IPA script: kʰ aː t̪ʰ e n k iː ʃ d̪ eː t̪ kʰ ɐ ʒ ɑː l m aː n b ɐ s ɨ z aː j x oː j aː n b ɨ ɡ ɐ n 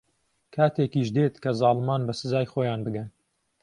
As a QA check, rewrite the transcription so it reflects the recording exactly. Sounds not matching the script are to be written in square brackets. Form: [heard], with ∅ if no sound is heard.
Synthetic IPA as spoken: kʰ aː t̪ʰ e [∅] k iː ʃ d̪ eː t̪ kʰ ɐ [z] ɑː l m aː n b ɐ s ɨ z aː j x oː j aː n b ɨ ɡ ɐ n